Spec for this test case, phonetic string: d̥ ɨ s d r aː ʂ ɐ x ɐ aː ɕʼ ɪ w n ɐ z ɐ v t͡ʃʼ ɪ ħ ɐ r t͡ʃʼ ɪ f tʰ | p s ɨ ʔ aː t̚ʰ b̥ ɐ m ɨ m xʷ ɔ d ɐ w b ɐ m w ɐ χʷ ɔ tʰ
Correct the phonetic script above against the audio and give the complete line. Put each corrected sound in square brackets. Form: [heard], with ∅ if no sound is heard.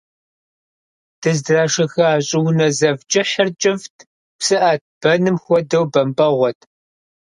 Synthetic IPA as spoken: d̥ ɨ [z] d r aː ʂ ɐ x ɐ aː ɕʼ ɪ w n ɐ z ɐ v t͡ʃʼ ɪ ħ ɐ r t͡ʃʼ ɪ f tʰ | p s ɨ ʔ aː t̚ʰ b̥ ɐ [n] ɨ m xʷ ɔ d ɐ w b ɐ m [b] ɐ [ʁʷ] ɔ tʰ